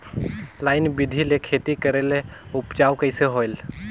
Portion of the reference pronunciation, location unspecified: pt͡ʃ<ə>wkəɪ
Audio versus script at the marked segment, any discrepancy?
yes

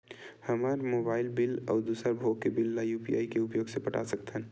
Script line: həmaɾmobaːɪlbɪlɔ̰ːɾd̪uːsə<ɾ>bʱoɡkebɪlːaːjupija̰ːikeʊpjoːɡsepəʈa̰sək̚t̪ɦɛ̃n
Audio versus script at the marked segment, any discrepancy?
no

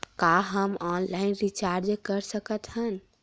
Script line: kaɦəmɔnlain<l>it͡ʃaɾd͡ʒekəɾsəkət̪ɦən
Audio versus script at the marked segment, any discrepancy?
yes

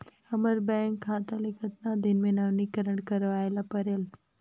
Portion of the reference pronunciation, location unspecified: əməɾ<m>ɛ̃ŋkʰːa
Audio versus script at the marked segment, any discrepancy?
yes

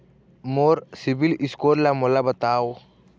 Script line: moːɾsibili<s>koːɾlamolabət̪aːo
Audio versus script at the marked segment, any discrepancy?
no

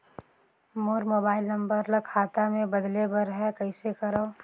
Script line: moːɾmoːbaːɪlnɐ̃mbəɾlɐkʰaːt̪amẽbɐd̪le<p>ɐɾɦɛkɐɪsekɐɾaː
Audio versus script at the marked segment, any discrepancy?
yes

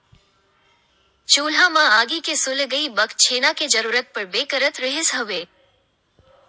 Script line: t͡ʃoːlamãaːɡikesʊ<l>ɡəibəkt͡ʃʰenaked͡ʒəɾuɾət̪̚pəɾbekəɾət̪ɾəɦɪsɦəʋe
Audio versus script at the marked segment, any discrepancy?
no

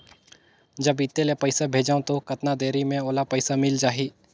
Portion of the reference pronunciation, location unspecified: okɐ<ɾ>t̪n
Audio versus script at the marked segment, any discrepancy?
yes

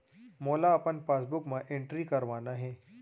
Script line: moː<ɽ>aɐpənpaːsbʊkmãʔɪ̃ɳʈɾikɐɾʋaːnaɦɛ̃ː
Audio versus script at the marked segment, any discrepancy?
yes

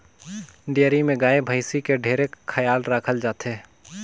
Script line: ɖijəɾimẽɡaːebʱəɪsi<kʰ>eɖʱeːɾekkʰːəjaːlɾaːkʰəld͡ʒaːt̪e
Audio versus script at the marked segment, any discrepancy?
yes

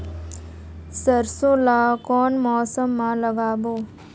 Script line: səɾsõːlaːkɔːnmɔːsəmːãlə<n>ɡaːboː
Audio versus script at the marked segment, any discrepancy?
yes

